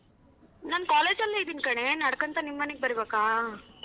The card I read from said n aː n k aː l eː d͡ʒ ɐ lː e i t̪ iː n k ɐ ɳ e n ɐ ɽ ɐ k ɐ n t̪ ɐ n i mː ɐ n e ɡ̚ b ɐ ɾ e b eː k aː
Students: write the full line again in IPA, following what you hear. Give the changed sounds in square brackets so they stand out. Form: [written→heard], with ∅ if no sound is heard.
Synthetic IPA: n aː n k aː l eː d͡ʒ ɐ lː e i [t̪→d̪] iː n k ɐ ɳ e n ɐ ɽ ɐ k ɐ n t̪ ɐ n i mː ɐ n e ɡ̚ b ɐ ɾ [e→i] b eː k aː